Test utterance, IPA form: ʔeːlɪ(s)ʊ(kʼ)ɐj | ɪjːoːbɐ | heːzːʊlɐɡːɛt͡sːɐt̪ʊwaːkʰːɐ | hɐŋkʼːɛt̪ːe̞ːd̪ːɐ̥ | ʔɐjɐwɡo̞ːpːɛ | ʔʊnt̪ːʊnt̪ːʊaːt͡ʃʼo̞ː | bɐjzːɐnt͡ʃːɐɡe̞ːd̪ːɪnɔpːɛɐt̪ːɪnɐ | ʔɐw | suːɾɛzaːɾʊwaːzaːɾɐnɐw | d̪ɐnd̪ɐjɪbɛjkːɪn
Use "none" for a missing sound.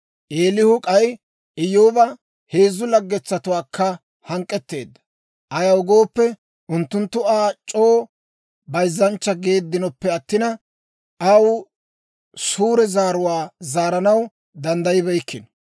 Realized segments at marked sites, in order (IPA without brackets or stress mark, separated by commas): h, kʼ